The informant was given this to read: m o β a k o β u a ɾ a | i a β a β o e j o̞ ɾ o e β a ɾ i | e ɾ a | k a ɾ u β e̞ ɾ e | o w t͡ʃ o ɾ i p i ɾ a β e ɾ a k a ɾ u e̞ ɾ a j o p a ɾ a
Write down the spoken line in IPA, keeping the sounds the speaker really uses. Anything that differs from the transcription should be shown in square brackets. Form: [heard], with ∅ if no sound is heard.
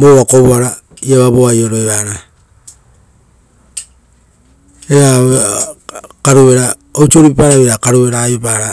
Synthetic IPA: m o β a k o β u a ɾ a | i a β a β o [a] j o̞ ɾ o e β a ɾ [a] | e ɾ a | k a ɾ u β e̞ ɾ [a] | o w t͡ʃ o ɾ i p [a] ɾ a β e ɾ a k a ɾ u e̞ ɾ a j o p a ɾ a